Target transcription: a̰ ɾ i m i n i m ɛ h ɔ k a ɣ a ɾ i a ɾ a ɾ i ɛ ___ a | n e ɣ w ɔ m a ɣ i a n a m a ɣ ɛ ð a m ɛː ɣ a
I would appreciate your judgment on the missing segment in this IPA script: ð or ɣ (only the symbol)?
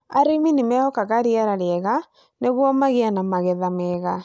ɣ